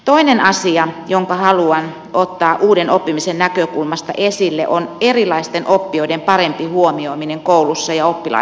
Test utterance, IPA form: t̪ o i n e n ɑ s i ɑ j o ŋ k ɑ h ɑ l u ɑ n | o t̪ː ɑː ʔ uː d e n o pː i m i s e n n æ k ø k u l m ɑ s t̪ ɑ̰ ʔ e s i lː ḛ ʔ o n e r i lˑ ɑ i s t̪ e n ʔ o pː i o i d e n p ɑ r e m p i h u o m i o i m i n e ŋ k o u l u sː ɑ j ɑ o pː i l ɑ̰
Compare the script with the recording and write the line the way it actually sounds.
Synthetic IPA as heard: t̪ o i n e n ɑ s i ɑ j o ŋ k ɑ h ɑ l u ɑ n | o t̪ː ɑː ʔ uː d e n o pː i m i s e n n æ k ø k u l m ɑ s t̪ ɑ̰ ʔ e s i lː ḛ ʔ o n e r i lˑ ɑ i s t̪ e n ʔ o pː i o i d e m p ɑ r e m p i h u o m i o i m i n e ŋ k o u l u sː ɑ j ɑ o pː i l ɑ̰